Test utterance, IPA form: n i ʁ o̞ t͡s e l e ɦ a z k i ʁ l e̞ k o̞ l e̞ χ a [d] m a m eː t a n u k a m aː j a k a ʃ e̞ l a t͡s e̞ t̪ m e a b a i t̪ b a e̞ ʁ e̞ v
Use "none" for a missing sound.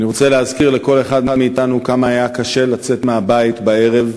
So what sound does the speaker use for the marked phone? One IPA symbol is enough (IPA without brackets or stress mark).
d